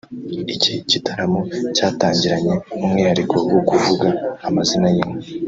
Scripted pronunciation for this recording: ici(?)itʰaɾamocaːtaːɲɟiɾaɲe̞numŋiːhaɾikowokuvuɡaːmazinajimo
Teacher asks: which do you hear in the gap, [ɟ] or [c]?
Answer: c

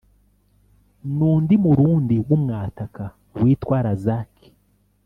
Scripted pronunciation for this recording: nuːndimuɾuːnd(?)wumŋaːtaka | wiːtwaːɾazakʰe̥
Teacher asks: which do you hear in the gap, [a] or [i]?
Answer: i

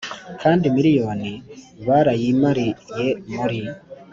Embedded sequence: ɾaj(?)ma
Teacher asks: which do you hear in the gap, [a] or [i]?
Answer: i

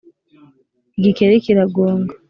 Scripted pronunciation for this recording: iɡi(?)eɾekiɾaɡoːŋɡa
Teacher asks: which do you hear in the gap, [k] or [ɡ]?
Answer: k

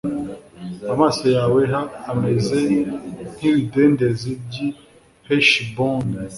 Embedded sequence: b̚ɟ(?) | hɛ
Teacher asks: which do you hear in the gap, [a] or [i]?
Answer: i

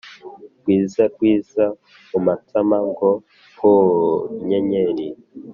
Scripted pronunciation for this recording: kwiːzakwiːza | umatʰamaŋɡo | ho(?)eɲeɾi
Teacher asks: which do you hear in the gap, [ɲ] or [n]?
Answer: ɲ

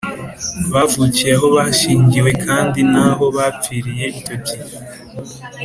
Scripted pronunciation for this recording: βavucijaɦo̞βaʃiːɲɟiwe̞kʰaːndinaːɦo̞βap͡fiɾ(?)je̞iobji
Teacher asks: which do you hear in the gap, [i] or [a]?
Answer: i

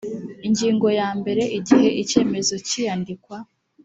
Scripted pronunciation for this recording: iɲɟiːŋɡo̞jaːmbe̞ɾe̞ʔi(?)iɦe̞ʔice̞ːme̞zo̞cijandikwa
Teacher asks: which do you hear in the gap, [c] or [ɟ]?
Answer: ɟ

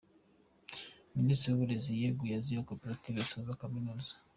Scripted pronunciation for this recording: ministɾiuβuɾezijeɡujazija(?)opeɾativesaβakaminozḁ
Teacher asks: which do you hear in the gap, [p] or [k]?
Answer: k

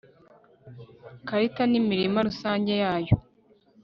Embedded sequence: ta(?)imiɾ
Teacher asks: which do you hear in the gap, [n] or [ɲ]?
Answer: n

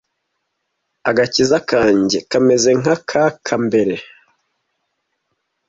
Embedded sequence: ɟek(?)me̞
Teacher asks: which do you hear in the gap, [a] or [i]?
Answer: a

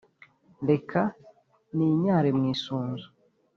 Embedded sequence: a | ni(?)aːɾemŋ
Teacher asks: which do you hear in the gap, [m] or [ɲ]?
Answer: ɲ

